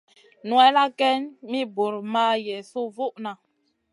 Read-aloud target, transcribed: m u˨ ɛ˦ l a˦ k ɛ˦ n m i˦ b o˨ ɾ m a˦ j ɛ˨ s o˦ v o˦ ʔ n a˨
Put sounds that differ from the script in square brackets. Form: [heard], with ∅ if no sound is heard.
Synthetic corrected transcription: [n] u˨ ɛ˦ l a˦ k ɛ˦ n m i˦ b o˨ ɾ m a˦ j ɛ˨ s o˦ v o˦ ʔ n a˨